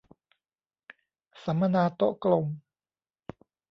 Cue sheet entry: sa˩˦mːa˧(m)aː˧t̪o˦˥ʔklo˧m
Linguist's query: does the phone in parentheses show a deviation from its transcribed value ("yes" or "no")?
yes